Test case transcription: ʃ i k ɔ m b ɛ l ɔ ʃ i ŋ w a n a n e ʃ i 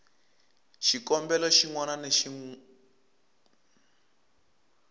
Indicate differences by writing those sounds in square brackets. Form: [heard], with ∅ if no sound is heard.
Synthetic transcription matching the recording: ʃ i k ɔ m b ɛ l ɔ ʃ i ŋ w a n a n e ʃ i